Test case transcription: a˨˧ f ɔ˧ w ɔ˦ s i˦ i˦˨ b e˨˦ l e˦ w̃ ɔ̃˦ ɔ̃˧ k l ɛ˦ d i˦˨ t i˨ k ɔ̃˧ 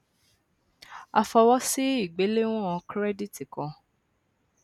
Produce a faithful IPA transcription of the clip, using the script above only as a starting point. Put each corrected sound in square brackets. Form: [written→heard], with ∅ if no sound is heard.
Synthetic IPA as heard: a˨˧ f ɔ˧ w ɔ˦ s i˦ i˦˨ [b→ɡ͡b] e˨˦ l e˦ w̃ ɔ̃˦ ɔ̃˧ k [l→ɾ] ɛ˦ d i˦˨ t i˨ k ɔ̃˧